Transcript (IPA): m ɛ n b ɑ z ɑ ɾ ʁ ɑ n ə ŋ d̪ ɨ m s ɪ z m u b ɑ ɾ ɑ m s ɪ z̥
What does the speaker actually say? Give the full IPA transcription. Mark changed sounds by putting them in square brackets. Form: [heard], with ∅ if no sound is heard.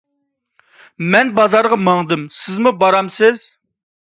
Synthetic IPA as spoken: m ɛ n b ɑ z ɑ ɾ ʁ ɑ [m] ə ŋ d̪ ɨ m s ɪ z m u b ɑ ɾ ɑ m s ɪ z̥